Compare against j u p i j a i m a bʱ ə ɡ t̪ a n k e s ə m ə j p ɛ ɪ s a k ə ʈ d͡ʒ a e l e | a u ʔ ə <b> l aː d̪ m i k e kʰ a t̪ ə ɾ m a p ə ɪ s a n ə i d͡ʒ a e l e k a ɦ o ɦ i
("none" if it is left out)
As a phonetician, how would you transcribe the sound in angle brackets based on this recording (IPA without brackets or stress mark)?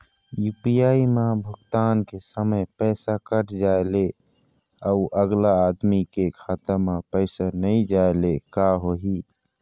ɡ